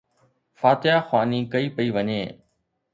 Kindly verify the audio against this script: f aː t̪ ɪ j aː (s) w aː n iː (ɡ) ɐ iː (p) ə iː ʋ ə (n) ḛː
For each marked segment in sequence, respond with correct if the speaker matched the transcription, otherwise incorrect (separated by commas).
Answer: incorrect, incorrect, correct, incorrect